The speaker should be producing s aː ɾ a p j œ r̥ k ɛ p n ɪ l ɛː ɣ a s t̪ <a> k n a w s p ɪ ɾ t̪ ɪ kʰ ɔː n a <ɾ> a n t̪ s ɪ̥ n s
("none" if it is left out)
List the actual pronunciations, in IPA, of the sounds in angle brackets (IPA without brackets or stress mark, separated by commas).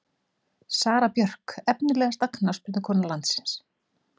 a, l